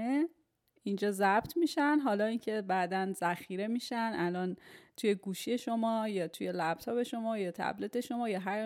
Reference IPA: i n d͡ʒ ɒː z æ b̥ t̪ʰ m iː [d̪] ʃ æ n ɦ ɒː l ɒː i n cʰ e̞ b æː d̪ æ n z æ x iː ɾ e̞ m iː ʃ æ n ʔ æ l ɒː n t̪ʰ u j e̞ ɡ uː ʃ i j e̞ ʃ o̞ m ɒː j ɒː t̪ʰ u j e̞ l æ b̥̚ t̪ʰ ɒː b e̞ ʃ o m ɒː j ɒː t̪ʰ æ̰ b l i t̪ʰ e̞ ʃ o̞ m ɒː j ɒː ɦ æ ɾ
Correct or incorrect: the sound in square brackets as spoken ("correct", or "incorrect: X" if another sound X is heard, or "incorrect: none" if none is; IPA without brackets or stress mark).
incorrect: none